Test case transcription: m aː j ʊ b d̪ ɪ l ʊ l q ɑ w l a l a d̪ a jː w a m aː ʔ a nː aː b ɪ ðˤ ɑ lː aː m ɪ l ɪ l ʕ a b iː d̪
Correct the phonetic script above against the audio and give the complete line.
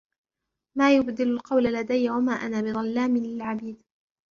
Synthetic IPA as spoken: m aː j ʊ b d̪ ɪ l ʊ l q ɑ w l a l a d̪ a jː w a m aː ʔ a n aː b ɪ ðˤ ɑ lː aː m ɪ l ɪ l ʕ a b iː d̪